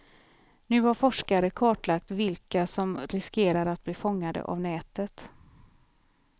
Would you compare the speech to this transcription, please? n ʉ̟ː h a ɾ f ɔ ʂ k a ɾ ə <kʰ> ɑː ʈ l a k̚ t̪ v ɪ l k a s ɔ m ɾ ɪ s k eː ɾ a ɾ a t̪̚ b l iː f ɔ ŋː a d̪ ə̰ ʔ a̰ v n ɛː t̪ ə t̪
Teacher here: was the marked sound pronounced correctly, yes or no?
yes